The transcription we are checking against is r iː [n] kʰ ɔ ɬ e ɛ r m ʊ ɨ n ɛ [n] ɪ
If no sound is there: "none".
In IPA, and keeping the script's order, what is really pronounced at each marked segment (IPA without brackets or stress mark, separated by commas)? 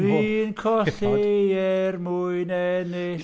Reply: n, n